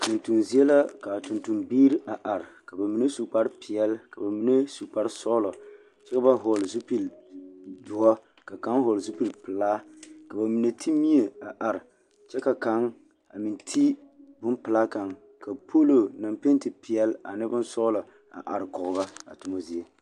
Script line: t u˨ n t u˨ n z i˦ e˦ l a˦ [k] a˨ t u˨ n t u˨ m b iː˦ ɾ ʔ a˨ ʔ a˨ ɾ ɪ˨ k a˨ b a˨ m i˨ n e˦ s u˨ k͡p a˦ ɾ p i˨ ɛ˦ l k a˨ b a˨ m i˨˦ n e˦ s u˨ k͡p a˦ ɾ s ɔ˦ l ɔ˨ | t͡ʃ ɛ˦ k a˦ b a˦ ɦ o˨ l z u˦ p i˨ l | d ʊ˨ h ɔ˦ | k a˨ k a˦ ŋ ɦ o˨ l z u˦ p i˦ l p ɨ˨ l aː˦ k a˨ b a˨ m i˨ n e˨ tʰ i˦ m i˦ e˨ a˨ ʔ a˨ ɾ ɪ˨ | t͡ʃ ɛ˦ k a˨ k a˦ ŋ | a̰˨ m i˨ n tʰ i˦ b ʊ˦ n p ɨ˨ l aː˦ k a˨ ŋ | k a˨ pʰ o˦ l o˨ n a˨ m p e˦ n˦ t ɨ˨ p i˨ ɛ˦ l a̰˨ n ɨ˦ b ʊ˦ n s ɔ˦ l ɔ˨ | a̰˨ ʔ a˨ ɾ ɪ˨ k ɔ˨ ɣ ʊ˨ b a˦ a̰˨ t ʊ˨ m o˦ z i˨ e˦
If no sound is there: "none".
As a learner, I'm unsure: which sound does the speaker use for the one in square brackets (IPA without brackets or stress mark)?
k